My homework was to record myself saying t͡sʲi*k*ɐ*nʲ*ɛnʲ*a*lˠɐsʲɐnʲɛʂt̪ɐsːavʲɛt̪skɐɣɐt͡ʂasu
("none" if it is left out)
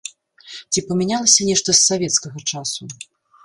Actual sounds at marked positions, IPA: p, mʲ, a

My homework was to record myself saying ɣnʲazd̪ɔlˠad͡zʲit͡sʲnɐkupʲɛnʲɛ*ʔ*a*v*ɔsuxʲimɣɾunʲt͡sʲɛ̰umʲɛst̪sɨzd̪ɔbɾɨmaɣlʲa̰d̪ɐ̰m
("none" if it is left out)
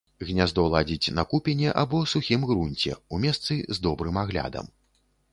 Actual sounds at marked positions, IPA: ʔ, b

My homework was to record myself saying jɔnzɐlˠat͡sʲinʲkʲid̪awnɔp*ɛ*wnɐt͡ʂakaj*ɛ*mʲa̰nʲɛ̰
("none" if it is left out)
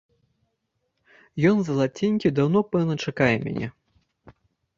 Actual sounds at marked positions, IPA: ɛ, ɛ

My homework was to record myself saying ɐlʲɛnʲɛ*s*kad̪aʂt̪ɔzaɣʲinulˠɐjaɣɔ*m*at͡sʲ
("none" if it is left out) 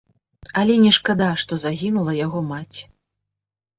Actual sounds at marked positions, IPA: ʂ, m

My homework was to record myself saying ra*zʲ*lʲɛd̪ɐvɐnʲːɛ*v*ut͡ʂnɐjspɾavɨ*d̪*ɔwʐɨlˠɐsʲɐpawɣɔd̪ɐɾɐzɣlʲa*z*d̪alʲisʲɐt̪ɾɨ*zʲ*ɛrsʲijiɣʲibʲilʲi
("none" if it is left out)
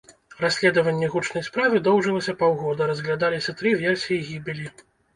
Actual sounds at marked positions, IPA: sʲ, ɣ, d̪, none, vʲ

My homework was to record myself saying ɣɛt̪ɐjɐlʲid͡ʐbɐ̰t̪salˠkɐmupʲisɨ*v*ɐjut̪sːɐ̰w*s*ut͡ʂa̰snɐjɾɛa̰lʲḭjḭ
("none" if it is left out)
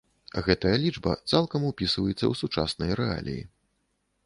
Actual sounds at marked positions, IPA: v, s

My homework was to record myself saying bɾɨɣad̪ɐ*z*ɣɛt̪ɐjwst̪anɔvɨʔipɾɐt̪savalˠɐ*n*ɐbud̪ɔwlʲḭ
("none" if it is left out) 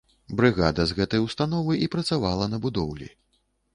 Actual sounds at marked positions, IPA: z, n

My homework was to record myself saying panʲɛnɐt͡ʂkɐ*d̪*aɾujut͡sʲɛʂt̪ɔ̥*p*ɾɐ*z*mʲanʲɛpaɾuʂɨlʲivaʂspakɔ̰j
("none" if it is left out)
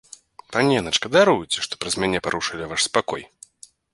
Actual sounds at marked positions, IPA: d̪, p, z

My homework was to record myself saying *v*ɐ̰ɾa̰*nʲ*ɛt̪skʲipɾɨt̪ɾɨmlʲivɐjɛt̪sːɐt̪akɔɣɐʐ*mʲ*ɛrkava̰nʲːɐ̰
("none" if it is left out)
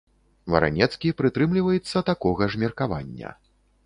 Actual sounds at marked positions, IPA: v, nʲ, mʲ

